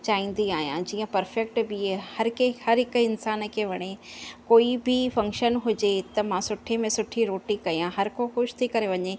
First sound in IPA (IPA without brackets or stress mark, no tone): t͡ɕ